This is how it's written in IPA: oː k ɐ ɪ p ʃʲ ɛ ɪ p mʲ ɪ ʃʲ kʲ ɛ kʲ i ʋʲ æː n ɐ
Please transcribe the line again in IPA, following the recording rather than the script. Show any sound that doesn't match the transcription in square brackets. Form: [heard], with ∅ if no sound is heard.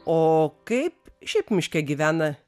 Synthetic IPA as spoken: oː k ɐ ɪ p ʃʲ ɛ ɪ p mʲ ɪ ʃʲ kʲ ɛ [ɡʲ] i ʋʲ æː n ɐ